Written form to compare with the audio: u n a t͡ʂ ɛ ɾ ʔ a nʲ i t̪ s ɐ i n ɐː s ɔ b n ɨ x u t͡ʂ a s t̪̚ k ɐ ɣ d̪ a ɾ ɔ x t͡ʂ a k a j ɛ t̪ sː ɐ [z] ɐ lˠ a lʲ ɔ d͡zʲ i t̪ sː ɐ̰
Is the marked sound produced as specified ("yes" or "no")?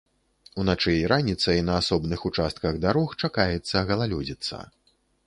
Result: no